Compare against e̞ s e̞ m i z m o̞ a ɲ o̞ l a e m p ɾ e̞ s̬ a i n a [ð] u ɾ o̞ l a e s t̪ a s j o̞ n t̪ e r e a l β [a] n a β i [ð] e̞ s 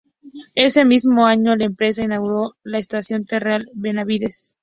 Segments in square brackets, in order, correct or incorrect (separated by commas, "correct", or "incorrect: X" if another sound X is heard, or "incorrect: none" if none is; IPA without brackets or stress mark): incorrect: ɣ, incorrect: e, correct